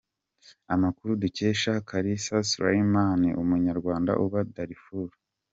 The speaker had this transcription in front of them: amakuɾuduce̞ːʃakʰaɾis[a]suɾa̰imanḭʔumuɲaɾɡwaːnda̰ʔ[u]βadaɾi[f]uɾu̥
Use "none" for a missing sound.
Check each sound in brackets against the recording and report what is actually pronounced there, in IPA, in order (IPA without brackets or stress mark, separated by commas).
a, u, f